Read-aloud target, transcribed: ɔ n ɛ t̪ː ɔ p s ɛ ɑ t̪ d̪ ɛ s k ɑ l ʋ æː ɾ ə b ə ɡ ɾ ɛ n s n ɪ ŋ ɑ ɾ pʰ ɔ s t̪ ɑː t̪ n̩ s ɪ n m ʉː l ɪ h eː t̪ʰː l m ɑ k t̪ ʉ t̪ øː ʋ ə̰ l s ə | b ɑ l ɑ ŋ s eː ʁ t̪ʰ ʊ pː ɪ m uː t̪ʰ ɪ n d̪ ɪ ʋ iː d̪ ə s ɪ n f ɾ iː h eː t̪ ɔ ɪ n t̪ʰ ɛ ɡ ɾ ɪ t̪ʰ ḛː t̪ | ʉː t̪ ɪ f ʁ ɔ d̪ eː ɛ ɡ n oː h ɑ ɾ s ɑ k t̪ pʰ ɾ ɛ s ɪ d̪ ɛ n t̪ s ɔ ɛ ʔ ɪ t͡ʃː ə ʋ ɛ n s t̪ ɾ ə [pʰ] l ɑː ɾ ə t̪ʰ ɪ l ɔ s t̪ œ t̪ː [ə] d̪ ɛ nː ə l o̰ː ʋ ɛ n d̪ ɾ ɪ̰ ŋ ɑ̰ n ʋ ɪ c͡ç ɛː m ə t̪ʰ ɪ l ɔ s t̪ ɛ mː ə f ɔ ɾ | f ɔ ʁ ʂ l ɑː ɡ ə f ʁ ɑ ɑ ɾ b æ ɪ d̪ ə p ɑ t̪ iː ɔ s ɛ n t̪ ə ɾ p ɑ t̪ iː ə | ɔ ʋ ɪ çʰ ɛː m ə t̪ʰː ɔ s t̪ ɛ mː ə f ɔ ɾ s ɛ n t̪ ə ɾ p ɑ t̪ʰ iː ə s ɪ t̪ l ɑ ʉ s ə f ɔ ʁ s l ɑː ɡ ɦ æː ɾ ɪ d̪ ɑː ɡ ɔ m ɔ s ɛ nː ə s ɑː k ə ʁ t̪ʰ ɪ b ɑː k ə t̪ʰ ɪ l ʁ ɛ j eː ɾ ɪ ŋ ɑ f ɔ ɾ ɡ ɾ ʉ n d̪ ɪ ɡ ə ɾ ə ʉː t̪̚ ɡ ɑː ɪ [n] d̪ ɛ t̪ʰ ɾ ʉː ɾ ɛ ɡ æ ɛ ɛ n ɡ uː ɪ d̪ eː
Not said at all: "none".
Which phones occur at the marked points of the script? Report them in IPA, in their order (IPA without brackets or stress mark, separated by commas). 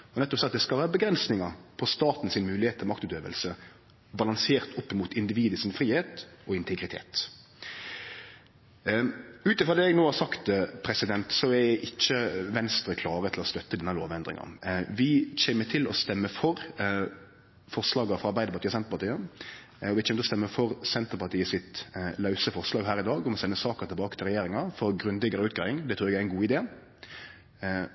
kʰ, ə, ŋ